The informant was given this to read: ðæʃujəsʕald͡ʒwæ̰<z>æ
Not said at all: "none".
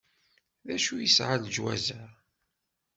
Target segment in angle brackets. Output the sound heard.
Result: z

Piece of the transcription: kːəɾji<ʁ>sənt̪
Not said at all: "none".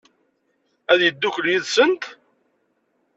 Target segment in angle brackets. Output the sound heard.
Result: ð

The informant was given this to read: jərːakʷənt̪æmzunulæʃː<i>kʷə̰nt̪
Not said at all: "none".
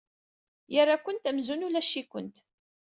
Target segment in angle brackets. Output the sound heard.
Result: i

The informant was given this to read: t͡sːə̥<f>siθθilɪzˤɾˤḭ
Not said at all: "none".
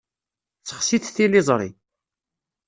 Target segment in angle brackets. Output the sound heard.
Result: χ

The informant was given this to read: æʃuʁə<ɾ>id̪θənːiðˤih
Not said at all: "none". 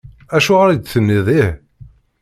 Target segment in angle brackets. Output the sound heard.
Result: ɾ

